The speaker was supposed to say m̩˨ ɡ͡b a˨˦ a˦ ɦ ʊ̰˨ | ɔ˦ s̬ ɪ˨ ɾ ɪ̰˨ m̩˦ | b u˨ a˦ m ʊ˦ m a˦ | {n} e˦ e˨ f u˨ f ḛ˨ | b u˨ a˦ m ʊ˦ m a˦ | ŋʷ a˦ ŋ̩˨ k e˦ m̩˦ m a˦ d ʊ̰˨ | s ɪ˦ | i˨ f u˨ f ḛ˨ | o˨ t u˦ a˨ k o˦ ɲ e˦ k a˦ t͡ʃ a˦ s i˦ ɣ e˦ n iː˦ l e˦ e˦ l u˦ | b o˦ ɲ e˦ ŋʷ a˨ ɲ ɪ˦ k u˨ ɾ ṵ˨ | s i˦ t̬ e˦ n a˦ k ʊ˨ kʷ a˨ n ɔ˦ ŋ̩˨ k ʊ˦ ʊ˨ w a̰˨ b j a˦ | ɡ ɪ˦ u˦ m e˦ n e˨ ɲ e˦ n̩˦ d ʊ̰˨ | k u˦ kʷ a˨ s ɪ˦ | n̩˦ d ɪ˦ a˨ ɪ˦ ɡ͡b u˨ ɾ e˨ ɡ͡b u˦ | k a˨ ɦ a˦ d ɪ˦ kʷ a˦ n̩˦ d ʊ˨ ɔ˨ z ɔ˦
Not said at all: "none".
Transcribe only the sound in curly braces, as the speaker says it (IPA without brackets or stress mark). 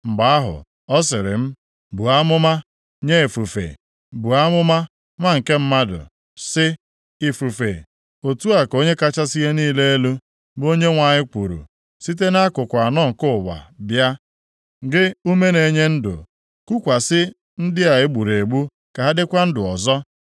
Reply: ɲ